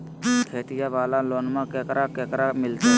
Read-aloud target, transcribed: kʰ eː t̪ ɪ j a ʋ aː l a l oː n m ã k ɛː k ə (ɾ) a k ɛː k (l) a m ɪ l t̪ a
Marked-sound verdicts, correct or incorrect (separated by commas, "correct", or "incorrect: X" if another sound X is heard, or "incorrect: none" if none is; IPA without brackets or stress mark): correct, incorrect: ɾ